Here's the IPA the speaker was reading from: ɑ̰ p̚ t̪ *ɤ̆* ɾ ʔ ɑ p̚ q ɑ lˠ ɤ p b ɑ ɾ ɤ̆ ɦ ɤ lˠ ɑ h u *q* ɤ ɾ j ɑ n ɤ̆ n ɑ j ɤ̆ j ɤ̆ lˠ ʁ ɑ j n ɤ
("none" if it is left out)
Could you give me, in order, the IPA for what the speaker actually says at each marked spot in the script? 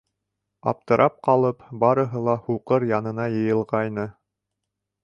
ɤ̆, q

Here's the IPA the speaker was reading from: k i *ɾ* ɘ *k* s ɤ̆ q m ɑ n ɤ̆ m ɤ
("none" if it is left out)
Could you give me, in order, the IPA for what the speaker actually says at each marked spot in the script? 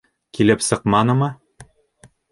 l, p

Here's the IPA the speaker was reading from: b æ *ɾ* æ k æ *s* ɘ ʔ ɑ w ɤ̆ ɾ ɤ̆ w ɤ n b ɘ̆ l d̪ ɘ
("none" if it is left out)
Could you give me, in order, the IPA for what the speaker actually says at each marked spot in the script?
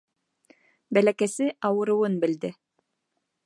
l, s

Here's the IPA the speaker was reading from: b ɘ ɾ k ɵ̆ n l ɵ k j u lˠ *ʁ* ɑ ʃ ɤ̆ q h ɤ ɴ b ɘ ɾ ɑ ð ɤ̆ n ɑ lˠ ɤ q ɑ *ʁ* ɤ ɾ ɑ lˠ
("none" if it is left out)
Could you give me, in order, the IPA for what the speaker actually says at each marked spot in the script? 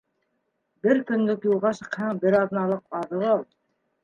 ʁ, ð

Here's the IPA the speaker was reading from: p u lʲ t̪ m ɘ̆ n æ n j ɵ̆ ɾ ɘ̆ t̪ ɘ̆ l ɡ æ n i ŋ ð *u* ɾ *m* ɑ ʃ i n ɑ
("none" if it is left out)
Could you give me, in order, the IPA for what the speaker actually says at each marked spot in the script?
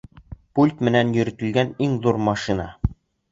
u, m

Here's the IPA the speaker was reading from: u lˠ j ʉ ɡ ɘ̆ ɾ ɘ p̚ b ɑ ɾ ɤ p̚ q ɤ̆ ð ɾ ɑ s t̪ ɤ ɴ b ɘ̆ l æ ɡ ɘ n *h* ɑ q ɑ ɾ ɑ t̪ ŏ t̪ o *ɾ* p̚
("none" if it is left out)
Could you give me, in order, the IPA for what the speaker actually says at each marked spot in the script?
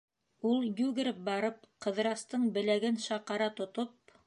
ʃ, none

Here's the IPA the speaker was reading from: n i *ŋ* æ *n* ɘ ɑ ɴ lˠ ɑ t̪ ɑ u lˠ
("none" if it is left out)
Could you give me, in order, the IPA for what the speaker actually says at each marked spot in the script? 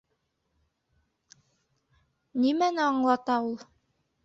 m, n

